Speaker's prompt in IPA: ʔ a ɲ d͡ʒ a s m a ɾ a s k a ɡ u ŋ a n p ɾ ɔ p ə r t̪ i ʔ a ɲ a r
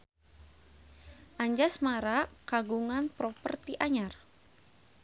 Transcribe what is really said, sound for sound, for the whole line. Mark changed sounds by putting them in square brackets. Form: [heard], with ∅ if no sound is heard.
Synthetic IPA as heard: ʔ a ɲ d͡ʒ a s m a ɾ a [∅] k a ɡ u ŋ a n p ɾ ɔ p ə r t̪ i ʔ a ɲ a r

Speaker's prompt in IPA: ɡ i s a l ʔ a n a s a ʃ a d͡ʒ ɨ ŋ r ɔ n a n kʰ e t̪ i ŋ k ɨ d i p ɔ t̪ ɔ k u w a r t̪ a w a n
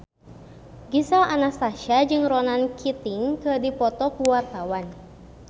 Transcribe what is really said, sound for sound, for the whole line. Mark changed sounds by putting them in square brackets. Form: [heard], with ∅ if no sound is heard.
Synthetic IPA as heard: ɡ i s a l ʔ a n a s a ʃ a d͡ʒ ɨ ŋ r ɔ n a n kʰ [i] t̪ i ŋ k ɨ d i p ɔ t̪ ɔ k u w a r t̪ a w a n

